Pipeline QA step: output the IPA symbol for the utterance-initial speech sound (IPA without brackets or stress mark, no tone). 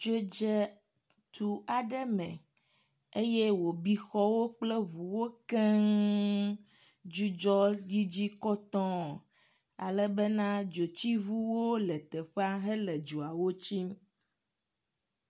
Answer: d͡ʒ